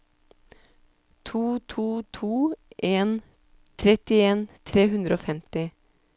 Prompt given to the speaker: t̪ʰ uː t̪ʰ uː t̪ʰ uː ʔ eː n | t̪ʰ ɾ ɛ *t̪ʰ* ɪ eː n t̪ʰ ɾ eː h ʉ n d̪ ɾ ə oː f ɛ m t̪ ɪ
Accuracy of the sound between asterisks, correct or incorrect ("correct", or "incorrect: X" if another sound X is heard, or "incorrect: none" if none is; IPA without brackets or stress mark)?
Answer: incorrect: t̪